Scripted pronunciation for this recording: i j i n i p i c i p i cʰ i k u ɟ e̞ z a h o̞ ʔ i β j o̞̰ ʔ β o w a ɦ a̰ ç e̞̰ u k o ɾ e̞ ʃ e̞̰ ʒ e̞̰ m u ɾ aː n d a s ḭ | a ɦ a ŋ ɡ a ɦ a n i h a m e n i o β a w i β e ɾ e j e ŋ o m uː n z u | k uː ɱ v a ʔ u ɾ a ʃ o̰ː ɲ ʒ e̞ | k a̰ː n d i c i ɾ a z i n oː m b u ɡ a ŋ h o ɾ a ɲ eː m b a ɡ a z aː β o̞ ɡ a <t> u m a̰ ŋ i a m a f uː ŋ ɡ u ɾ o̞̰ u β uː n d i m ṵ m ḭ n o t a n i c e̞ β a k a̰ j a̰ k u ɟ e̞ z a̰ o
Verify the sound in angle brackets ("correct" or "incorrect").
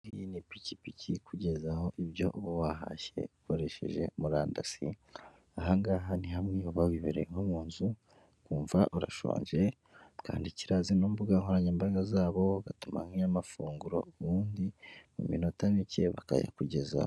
correct